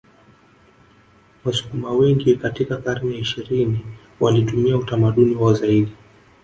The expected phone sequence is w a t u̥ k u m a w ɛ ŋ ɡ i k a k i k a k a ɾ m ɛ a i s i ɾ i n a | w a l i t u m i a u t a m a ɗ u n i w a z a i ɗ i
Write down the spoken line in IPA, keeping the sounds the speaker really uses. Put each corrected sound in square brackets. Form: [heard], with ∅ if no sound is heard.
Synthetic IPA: w a [s] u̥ k u m a w ɛ ŋ ɡ i k a [t] i k a k a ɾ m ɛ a i [ʃ] i ɾ i n [i] | w a l i t u m i a u t a m a ɗ u n i w a z a i ɗ i